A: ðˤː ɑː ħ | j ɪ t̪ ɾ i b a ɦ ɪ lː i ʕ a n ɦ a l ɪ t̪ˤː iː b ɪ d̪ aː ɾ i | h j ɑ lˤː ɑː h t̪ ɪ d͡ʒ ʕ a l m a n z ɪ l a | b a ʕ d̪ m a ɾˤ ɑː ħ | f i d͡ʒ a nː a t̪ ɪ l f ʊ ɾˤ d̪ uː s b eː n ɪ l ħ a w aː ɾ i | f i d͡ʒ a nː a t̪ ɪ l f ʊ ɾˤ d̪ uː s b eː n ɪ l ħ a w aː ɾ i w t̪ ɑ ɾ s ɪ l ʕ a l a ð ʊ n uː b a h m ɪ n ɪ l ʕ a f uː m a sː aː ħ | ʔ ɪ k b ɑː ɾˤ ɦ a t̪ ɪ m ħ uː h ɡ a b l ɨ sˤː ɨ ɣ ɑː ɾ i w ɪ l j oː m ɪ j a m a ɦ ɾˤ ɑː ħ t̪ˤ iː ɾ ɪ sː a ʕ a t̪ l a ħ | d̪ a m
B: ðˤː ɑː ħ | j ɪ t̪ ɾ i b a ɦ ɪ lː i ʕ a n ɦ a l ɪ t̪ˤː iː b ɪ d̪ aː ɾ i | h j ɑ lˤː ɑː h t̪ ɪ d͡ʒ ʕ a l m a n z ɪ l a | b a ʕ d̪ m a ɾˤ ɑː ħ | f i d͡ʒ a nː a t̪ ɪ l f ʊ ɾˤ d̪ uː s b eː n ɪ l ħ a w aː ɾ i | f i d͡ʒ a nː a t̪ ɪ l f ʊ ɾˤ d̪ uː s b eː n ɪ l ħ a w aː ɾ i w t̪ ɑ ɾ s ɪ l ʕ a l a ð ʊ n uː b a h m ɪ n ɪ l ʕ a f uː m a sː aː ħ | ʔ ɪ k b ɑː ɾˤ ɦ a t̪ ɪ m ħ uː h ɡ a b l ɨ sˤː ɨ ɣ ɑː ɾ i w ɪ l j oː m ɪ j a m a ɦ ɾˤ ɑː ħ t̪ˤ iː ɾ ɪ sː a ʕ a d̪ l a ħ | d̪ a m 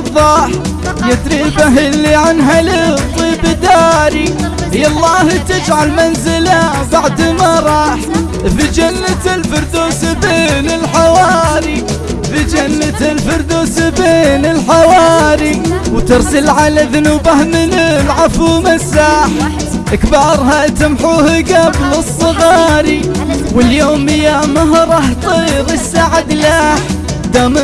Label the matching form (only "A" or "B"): B